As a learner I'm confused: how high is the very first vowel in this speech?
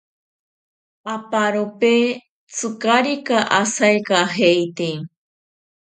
low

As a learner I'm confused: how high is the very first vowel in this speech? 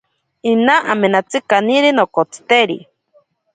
high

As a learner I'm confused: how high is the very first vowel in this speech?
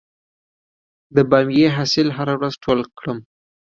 mid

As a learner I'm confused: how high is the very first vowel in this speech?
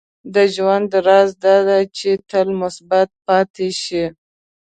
mid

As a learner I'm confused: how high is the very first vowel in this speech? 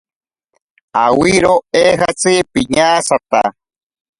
low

